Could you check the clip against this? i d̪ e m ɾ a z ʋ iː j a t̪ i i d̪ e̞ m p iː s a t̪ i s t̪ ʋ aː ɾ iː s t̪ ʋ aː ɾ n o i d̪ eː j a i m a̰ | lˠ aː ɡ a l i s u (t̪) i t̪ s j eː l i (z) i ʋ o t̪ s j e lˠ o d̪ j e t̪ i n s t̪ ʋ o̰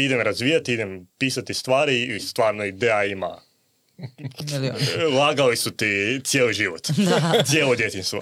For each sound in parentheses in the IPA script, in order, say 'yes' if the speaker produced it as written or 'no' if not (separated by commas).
yes, no